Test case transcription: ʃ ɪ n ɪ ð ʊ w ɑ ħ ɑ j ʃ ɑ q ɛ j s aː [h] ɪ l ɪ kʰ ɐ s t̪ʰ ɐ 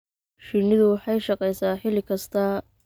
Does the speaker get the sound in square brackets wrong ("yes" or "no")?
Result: yes